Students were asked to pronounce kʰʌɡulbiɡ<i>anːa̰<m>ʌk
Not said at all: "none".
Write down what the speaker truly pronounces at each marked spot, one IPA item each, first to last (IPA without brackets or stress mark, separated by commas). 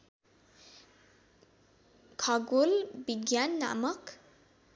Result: j, m